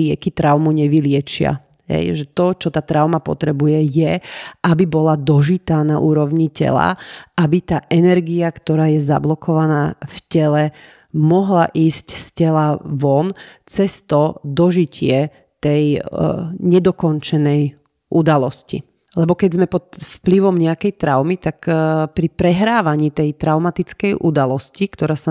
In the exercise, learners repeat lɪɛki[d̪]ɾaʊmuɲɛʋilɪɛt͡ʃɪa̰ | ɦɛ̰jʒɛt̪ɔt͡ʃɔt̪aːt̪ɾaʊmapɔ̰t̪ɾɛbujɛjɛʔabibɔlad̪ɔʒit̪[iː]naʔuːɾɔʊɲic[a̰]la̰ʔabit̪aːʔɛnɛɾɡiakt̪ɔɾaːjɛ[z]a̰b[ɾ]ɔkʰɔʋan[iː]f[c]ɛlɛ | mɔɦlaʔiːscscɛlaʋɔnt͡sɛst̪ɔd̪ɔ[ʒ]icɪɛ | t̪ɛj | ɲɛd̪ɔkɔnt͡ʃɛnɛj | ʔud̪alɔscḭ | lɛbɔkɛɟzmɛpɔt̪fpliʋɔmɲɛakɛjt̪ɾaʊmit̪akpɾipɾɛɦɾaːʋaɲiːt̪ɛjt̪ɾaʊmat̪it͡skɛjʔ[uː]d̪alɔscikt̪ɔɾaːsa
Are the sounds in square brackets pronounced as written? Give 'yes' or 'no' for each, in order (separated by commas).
no, no, no, yes, no, no, yes, yes, no